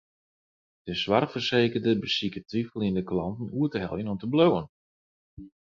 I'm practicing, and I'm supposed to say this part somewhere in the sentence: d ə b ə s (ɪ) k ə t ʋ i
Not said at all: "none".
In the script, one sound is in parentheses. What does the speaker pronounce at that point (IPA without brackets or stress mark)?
i